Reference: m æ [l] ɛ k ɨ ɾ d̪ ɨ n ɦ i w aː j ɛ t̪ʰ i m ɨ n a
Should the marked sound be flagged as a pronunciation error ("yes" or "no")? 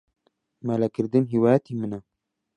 no